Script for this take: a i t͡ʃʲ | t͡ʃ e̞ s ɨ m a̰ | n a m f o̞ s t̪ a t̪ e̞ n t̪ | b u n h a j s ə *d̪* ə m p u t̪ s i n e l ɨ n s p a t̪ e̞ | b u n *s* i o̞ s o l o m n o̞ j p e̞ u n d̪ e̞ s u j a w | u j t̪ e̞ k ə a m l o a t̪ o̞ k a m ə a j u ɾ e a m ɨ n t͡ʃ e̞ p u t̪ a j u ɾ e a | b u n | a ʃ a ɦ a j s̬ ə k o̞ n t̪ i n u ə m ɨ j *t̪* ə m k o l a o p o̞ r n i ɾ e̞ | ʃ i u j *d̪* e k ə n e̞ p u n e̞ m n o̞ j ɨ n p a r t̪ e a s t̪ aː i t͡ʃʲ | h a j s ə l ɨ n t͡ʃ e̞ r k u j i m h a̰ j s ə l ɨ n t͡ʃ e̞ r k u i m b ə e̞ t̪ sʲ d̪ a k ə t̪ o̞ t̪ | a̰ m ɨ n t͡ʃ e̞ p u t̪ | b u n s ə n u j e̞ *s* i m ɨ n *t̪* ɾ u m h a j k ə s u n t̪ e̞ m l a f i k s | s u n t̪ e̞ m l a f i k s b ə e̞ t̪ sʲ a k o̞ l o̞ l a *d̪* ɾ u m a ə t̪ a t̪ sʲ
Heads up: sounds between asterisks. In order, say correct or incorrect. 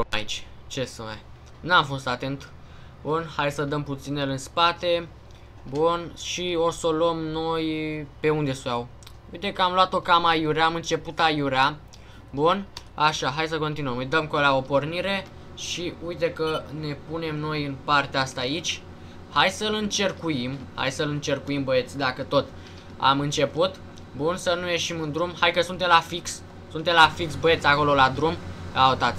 correct, incorrect: ʃ, incorrect: d̪, incorrect: t̪, incorrect: ʃ, incorrect: d̪, correct

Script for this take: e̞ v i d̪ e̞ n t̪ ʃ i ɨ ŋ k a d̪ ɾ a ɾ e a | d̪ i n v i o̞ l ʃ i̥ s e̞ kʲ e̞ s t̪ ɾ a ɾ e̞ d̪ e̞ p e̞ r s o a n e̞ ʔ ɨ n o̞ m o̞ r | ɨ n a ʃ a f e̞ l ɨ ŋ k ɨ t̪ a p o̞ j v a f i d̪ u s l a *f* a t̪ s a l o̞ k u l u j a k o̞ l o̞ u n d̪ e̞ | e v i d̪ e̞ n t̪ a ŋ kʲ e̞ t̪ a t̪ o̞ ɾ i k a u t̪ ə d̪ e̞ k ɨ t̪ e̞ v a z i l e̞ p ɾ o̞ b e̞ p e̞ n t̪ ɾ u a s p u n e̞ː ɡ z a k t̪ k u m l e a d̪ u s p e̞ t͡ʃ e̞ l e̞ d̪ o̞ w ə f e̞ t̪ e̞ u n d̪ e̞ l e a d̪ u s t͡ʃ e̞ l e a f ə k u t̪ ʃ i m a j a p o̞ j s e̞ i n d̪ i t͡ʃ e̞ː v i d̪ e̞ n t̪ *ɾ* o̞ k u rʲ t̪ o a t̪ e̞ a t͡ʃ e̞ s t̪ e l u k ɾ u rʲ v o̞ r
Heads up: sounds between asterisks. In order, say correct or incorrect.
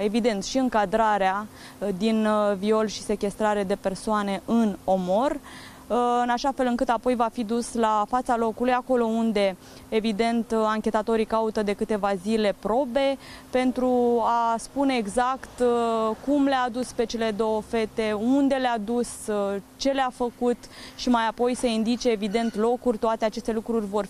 correct, incorrect: l

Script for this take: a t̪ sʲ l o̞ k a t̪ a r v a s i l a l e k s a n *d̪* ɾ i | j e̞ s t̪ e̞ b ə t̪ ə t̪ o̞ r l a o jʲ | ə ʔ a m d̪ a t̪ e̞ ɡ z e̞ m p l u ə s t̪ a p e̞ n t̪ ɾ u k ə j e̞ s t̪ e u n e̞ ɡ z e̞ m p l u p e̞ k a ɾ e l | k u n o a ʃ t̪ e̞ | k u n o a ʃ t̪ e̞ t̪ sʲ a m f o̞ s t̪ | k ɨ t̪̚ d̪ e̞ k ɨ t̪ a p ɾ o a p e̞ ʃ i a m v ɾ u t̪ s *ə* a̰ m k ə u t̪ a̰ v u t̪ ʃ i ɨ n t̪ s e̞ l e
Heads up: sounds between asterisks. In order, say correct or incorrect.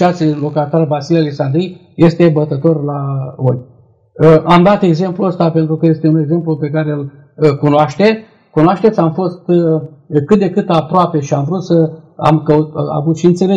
correct, correct

